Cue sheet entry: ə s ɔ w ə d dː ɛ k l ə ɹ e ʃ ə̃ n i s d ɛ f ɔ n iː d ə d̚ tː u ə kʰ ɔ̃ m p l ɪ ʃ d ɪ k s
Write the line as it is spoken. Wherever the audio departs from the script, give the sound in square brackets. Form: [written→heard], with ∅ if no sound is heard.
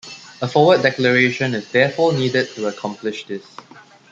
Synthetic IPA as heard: ə [s→f] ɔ w ə d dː ɛ k l ə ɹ e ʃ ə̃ n [i→ɪ] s d ɛ f ɔ n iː d ə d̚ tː u ə kʰ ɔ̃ m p l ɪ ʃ d ɪ [k→∅] s